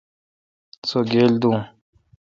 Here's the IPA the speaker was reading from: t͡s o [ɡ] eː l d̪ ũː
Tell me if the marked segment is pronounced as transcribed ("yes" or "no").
yes